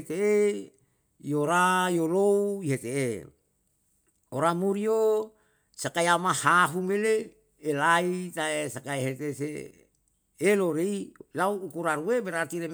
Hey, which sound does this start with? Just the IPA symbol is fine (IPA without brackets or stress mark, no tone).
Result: t̪